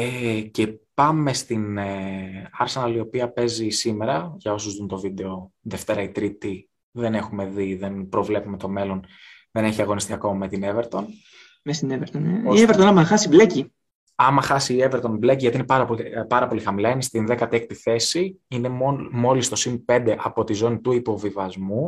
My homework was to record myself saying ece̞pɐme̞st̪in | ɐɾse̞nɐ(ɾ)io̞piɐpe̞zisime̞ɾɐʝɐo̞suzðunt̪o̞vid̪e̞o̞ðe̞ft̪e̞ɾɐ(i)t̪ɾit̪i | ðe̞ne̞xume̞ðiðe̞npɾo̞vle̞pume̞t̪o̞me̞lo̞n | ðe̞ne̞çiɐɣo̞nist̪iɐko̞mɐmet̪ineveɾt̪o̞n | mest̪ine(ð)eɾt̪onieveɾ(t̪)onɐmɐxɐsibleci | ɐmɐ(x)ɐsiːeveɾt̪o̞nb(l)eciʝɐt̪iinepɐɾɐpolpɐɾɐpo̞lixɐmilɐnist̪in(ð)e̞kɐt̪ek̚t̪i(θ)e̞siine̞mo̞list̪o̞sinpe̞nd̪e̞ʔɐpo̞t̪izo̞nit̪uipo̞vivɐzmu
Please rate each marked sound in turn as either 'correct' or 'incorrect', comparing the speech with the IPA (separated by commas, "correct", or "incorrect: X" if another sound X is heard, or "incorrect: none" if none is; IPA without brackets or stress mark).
incorrect: l, correct, incorrect: v, correct, correct, correct, correct, correct